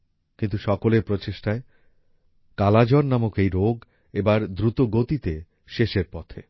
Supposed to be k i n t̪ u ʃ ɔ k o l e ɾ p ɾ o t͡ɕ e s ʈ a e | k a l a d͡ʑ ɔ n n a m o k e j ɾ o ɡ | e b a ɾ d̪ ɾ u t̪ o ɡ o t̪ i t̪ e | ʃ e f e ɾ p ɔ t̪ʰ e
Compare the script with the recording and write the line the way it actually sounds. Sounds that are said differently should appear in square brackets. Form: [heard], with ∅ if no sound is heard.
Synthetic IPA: k i n t̪ u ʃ ɔ k o l e ɾ p ɾ o t͡ɕ e [ʃ] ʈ a e | k a l a d͡ʑ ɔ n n a m o k e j ɾ o ɡ | e b a ɾ d̪ ɾ u t̪ o ɡ o t̪ i t̪ e | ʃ e [ʃ] e ɾ p ɔ t̪ʰ e